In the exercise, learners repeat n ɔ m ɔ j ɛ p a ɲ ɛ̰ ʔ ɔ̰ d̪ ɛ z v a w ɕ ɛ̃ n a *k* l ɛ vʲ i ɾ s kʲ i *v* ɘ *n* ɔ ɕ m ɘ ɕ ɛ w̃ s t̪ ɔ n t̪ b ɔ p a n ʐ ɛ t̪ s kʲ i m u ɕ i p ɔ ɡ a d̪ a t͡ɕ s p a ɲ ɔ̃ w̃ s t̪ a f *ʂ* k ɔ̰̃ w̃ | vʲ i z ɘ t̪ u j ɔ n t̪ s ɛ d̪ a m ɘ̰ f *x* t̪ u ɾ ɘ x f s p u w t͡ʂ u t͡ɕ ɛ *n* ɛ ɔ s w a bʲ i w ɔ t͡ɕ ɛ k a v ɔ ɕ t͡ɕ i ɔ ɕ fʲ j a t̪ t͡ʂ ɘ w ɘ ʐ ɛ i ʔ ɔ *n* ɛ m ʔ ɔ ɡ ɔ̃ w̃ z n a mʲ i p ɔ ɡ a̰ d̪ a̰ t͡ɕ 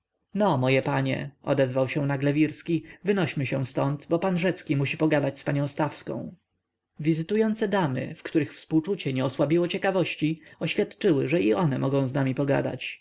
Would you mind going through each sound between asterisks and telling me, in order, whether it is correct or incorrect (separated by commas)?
incorrect, correct, correct, incorrect, incorrect, incorrect, correct